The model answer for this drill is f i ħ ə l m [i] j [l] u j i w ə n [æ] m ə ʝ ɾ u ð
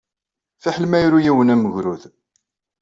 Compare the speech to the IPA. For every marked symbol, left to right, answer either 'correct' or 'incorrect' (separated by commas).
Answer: incorrect, incorrect, correct